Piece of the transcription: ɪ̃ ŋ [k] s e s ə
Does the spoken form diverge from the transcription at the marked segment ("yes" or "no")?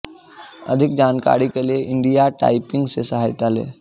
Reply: yes